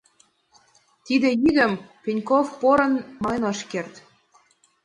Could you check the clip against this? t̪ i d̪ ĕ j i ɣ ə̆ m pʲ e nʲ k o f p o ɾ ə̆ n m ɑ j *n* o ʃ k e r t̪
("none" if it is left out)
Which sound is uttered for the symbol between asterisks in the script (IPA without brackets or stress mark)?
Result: n